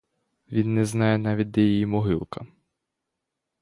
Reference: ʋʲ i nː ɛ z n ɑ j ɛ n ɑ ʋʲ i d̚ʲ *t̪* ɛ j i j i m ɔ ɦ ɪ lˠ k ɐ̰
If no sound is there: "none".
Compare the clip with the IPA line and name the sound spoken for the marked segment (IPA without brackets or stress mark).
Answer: d̪